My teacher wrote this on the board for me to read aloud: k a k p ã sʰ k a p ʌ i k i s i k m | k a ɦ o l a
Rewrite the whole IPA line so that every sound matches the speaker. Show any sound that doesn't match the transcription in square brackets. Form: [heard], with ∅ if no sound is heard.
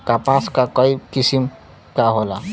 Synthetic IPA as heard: k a [∅] p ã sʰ k a [k] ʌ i k i s i [∅] m | k a ɦ o l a